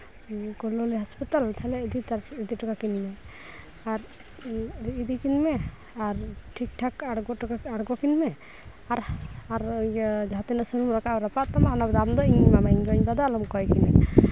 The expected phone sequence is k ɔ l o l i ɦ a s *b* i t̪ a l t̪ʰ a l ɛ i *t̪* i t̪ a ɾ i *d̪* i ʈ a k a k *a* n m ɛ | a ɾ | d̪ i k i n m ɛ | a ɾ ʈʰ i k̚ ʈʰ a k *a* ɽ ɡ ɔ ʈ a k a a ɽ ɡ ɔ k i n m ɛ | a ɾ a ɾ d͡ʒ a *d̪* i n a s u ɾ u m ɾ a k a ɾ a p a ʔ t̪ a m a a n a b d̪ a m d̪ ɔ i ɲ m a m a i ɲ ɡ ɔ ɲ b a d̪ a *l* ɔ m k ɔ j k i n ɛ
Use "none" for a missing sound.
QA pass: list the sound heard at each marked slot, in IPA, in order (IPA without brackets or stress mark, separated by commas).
p, d̪, d̪, i, a, t̪, l